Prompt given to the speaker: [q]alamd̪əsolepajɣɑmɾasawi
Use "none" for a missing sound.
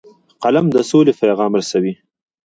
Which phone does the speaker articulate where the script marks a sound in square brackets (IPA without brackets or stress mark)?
q